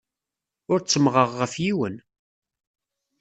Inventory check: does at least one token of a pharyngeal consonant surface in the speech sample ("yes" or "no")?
no